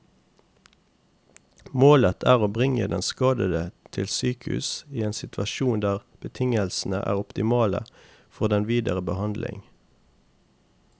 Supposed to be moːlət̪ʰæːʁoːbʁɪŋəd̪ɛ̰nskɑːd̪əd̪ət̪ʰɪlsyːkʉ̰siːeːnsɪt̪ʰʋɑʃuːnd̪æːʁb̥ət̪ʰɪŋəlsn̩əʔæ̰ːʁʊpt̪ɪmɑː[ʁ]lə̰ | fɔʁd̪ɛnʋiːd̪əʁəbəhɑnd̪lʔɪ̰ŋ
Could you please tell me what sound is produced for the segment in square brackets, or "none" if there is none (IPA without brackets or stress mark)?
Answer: none